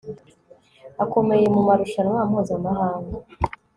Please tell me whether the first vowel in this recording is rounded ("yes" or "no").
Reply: no